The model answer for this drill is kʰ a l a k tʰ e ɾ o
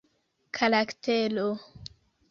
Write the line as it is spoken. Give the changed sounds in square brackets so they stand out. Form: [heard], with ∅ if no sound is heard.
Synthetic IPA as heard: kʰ a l a k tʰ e [l] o